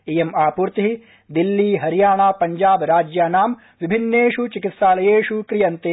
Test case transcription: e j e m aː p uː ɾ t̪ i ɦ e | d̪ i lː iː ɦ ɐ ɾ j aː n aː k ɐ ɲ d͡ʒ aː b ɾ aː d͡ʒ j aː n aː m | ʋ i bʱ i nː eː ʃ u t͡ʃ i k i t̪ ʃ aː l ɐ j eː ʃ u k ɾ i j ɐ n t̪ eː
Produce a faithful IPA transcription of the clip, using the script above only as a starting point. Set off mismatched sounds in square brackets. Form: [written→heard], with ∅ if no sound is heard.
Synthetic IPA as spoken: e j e m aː p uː ɾ t̪ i ɦ [e→i] | d̪ i lː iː ɦ ɐ ɾ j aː [n→ɳ] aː [k→p] ɐ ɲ d͡ʒ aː b ɾ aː d͡ʒ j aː n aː m | ʋ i bʱ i nː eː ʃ u t͡ʃ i k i t̪ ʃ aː l ɐ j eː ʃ u k ɾ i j ɐ n t̪ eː